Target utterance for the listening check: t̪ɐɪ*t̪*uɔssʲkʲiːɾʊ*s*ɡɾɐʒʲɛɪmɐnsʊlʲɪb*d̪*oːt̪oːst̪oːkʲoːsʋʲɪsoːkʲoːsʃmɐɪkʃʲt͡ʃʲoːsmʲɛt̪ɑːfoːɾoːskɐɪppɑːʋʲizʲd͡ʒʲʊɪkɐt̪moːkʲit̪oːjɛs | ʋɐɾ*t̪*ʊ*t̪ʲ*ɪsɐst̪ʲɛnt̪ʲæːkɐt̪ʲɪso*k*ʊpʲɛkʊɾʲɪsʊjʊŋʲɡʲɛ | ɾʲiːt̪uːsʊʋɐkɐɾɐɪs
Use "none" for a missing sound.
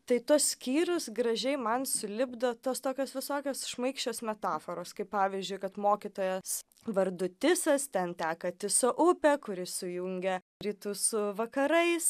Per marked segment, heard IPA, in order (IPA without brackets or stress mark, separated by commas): t̪, s, d̪, d̪, t̪ʲ, ʔ